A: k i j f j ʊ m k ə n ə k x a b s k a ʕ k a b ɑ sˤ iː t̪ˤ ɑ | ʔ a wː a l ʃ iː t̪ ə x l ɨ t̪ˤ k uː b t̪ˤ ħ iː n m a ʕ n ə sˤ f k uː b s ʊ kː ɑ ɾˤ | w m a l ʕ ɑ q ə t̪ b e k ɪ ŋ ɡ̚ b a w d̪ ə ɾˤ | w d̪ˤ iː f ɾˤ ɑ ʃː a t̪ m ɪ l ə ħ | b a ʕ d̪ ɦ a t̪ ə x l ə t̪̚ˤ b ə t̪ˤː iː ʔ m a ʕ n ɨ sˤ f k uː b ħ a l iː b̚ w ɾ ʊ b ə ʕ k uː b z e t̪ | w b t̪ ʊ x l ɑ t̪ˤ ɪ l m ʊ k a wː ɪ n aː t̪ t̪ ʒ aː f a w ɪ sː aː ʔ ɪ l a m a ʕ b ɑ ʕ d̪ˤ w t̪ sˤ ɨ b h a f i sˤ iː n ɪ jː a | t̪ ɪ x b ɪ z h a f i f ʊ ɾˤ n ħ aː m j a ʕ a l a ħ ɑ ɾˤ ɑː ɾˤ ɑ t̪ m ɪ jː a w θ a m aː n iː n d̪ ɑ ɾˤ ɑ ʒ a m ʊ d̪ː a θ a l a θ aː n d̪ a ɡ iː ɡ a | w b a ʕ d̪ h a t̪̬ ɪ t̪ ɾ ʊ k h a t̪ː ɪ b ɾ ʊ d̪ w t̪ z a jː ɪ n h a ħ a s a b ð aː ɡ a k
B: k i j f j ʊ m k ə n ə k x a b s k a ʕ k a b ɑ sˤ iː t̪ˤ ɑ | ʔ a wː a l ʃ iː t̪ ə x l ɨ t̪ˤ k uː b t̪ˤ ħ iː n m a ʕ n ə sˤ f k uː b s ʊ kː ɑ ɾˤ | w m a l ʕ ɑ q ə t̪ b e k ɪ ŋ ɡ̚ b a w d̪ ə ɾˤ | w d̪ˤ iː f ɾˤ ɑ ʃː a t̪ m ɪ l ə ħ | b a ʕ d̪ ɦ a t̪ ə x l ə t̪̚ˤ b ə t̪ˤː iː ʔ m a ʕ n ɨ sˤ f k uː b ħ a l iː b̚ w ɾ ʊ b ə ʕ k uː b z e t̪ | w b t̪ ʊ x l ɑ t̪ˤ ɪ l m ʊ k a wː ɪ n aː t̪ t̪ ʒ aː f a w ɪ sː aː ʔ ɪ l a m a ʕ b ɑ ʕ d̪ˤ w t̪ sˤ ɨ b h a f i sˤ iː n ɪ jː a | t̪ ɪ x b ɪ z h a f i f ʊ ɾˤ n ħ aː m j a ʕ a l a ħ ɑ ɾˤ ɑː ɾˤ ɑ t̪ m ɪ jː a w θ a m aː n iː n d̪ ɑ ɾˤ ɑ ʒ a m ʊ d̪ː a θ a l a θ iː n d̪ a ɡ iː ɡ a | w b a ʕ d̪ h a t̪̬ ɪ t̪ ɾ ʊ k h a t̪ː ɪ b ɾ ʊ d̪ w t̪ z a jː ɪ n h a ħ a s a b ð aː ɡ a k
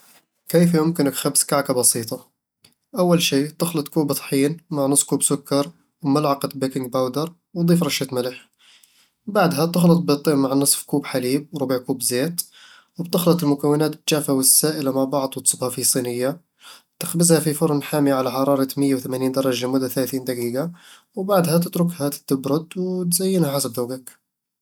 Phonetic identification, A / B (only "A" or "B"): B